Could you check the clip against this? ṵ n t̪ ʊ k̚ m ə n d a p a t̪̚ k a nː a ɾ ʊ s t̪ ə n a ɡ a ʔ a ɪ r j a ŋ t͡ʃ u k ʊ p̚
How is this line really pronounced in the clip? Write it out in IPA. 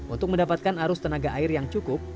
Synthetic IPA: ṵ n t̪ ʊ k̚ m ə n d a p a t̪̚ k a n a ɾ ʊ s t̪ ə n a ɡ a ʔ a ɪ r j a ŋ t͡ʃ u k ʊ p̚